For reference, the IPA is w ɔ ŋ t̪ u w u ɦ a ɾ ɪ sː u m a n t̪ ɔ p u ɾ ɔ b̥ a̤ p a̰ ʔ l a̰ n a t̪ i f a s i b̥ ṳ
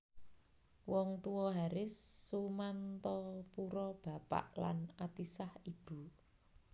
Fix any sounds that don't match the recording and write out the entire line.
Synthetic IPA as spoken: w ɔ ŋ t̪ u w ɔ ɦ a ɾ ɪ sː u m a n t̪ ɔ p u ɾ ɔ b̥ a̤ p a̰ ʔ l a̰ n a t̪ i s a h i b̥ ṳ